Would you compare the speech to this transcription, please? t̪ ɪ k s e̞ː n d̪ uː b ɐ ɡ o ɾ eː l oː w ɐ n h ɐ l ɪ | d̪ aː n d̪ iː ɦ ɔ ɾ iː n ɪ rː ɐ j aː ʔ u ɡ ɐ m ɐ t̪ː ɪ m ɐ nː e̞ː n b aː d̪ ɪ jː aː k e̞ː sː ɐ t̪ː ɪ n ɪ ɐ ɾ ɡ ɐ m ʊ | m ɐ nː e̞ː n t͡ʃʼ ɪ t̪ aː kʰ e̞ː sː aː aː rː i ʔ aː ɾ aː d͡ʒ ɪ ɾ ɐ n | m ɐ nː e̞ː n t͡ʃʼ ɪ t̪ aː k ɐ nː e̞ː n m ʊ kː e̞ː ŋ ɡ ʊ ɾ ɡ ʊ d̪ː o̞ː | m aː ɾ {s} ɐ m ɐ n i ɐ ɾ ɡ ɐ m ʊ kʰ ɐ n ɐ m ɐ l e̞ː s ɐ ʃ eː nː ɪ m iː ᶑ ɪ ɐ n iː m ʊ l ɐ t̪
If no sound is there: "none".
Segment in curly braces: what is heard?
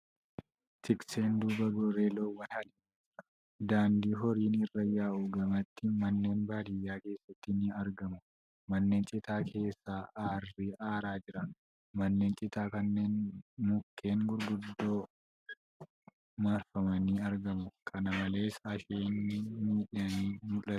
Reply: f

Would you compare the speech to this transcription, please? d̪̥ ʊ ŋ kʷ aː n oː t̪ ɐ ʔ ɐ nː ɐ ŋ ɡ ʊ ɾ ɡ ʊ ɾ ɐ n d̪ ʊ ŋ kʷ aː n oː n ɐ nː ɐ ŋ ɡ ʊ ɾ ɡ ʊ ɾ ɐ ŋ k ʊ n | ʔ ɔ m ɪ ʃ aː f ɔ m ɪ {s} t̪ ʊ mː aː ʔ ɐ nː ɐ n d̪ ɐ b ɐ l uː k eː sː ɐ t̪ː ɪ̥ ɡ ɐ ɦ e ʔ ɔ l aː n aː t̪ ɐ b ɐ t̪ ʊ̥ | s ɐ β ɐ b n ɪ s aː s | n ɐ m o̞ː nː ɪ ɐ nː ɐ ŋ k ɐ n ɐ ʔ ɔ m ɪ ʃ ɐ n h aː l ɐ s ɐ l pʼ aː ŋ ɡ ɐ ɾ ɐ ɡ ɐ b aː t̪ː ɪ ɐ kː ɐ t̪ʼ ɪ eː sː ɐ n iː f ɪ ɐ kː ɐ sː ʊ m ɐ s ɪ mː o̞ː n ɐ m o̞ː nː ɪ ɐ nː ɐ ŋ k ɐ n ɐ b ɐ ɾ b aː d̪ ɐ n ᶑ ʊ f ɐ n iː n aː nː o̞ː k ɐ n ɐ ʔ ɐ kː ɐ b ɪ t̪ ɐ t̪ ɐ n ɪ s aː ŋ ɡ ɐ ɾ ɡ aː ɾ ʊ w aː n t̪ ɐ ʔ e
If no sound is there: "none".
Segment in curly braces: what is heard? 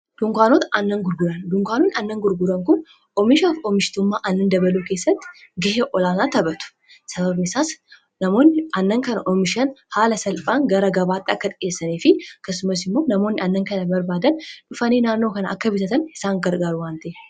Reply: ʃ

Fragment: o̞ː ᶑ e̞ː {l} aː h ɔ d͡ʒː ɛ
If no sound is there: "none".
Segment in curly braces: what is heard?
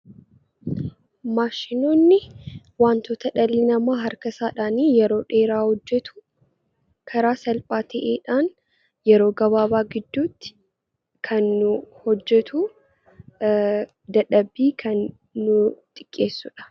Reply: ɾ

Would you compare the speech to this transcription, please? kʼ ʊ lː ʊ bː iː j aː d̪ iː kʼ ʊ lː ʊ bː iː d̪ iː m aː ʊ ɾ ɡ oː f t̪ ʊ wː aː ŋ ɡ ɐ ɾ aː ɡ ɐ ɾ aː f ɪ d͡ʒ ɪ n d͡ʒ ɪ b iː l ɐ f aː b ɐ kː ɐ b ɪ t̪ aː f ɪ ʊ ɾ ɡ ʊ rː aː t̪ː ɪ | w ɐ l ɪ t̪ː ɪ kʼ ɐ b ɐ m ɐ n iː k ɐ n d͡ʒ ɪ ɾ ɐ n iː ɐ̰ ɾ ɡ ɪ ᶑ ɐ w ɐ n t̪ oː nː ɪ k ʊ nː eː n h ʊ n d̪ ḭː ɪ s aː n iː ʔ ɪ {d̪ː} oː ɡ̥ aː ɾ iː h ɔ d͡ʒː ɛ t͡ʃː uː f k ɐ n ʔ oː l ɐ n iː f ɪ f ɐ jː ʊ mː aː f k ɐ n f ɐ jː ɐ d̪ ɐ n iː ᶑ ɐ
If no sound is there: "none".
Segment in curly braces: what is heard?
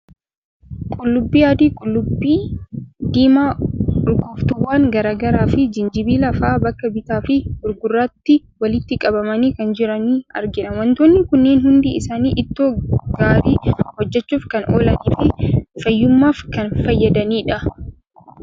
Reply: t̪ː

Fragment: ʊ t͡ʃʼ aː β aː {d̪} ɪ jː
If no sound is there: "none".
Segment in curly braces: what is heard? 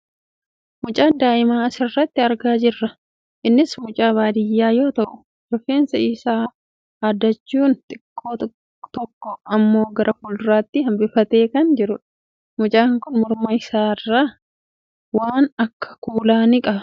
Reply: d̪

